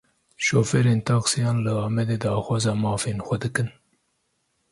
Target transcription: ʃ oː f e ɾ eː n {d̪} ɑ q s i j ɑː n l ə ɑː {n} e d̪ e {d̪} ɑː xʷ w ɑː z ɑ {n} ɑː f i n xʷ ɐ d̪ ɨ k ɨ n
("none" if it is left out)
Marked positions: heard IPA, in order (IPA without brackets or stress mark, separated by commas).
t̪, m, d̪, m